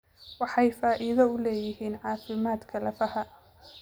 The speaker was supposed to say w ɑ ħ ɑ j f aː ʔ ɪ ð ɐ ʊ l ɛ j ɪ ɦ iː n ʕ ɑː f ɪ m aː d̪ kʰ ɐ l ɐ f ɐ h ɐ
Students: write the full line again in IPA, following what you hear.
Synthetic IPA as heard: w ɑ ħ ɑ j f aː ʔ ɪ ð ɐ ʊ l ɛː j ɪ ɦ iː n ʕ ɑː f ɪ m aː d̪ kʰ ɐ l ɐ f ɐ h ɐ